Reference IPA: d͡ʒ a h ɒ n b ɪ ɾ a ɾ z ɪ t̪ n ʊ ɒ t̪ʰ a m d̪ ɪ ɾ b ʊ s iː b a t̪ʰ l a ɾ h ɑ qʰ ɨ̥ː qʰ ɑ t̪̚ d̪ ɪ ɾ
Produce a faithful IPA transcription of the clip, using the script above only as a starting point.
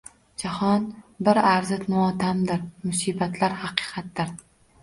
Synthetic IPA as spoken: d͡ʒ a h ɒ n b ɪ ɾ a ɾ z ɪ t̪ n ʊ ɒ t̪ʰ a m d̪ ɪ ɾ m ʊ s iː b a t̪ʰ l a ɾ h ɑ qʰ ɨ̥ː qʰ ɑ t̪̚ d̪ ɪ ɾ